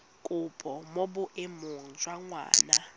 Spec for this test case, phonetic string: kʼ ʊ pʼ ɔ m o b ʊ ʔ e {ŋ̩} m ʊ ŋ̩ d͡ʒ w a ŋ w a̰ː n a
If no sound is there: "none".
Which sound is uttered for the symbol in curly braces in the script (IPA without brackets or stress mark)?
none